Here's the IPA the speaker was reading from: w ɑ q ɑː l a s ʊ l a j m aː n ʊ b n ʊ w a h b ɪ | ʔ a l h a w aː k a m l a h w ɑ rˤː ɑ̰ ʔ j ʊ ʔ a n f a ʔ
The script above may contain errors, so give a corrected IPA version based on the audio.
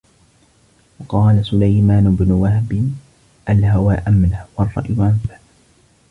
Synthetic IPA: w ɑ q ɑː l a s ʊ l a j m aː n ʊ b n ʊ w a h b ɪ | ʔ a l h a w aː ʔ a m l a h w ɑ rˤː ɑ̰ ʔ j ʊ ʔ a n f a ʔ

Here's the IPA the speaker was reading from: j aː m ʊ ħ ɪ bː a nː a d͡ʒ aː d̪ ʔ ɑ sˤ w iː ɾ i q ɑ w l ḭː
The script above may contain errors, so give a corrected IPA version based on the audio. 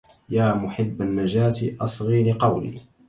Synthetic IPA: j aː m ʊ ħ ɪ bː a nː a d͡ʒ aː t̪ ʔ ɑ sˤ ɣ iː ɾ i q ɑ w l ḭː

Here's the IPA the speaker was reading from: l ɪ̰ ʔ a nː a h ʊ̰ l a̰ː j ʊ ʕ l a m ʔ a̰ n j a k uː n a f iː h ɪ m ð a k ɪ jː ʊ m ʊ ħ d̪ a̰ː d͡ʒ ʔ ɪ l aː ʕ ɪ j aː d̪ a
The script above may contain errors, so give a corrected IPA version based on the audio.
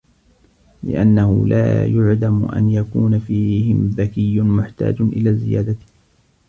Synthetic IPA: l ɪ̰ ʔ a nː a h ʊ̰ l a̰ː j ʊ ʕ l a m ʔ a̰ n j a k uː n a f iː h ɪ m ð a k ɪ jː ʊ m ʊ ħ t̪ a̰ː d͡ʒ ʔ ɪ l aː z ɪ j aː d̪ a

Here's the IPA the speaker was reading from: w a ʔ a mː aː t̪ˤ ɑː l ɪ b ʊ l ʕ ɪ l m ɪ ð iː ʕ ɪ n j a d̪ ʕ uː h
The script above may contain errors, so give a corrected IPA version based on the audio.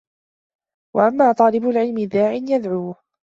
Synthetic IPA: w a ʔ a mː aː t̪ˤ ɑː l ɪ b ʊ l ʕ ɪ l m ɪ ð aː ʕ ɪ n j a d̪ ʕ uː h

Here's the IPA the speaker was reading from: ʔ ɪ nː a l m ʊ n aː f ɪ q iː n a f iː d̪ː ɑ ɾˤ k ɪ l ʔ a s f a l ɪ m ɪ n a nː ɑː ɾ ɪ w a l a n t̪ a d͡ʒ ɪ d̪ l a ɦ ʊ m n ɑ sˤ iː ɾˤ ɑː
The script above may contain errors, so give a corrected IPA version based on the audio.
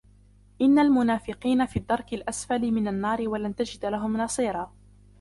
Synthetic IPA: ʔ ɪ nː a l m ʊ n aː f ɪ q iː n a f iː d̪ː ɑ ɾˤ k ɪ l ʔ a s f a l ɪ m ɪ n a nː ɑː ɾ ɪ w a l a n t̪ a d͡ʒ ɪ d̪ l a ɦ ʊ m n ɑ sˤ iː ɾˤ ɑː

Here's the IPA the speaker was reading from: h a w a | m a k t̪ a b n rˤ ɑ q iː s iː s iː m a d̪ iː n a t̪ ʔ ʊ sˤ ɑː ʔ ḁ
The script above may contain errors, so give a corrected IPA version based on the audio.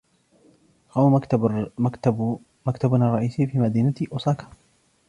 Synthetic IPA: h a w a | m a k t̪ a b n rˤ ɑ ʔ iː s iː f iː m a d̪ iː n a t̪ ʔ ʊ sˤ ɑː k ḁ

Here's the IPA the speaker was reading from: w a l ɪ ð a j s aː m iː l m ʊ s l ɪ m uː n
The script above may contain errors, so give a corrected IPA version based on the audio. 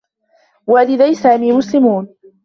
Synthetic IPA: w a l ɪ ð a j s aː m iː m ʊ s l ɪ m uː n

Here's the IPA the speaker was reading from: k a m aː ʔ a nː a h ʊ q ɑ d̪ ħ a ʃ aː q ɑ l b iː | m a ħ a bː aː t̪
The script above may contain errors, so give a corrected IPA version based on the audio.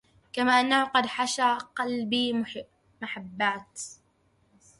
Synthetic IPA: k a m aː ʔ a nː a h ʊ q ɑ d̪ ħ a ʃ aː q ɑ l b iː | m a ħ a bː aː t̪

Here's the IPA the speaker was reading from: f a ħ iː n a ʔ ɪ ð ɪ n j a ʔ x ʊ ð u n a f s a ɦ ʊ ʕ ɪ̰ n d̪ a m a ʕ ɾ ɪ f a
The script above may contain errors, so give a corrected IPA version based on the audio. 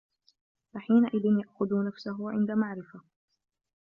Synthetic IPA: f a ħ iː n a ʔ ɪ ð ɪ n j a ʔ x ʊ ð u n a f s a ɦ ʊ ʕ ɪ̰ n d̪ a m a ʕ ɾ ɪ f a

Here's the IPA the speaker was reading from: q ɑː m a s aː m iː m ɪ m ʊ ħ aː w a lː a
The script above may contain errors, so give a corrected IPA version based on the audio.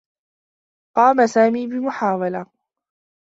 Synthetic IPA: q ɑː m a s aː m iː b ɪ m ʊ ħ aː w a l a

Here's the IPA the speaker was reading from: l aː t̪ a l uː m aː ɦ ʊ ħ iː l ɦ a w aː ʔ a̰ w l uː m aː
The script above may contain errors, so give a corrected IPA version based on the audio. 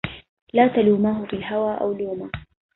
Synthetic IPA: l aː t̪ a l uː m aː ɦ ʊ f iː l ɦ a w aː ʔ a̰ w l uː m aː

